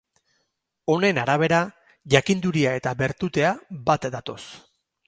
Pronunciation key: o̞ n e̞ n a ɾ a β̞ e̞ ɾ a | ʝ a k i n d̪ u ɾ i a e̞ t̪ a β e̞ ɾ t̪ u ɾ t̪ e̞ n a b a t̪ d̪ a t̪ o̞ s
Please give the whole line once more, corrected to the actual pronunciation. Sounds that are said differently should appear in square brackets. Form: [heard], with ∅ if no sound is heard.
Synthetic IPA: o̞ n e̞ n a ɾ a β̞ e̞ ɾ a | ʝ a k i n d̪ u ɾ i a e̞ t̪ a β e̞ ɾ t̪ u [∅] t̪ e̞ [∅] a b a t̪ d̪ a t̪ o̞ s